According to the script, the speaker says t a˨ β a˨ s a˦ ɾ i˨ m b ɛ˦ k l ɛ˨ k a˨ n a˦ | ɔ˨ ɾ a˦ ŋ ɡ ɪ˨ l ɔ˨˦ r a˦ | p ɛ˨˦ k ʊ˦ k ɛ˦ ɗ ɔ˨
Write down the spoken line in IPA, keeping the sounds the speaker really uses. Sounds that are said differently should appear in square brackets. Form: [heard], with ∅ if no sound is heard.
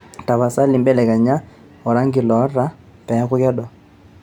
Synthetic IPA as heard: t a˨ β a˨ s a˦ [l] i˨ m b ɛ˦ [∅] l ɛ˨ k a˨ [ɲ] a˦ | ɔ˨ ɾ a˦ ŋ ɡ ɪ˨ l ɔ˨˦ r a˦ | p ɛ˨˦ k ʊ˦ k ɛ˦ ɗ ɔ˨